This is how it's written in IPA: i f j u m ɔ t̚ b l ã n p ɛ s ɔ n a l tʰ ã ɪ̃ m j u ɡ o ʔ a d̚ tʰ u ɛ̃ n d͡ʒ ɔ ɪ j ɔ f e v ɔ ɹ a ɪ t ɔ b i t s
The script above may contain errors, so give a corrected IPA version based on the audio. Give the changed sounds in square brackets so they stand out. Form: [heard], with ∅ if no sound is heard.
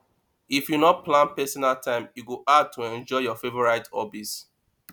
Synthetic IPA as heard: i f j u [n] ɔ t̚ [p] l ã n p ɛ s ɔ n a l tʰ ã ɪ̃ m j u ɡ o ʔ a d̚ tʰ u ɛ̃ n d͡ʒ ɔ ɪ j ɔ f e v ɔ ɹ a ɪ t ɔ b i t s